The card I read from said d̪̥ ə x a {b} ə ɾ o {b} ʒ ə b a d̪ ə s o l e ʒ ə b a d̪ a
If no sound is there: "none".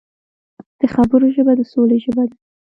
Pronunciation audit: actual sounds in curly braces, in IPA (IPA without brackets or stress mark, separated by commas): b, none